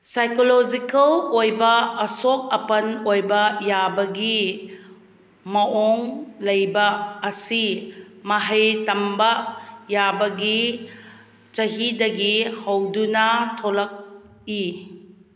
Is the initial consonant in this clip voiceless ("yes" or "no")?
yes